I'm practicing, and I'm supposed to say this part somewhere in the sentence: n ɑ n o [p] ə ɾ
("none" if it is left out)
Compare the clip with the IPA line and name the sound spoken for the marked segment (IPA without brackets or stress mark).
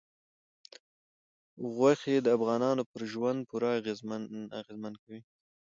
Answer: p